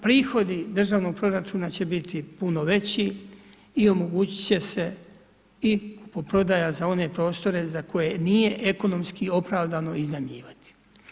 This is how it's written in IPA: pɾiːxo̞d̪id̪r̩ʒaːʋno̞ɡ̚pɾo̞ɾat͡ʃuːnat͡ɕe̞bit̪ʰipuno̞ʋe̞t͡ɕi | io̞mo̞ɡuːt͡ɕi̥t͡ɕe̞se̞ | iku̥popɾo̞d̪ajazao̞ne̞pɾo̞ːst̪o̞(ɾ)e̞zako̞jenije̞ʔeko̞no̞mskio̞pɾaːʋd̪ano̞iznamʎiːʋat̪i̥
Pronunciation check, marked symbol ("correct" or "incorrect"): correct